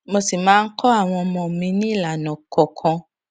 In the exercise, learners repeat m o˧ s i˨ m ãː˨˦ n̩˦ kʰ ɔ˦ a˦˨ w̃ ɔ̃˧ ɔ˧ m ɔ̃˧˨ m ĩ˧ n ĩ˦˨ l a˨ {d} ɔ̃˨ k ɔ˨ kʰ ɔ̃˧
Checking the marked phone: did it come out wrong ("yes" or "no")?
yes